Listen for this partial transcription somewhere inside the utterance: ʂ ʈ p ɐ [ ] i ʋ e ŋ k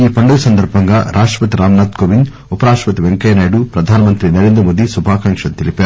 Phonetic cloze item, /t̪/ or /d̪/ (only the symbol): t̪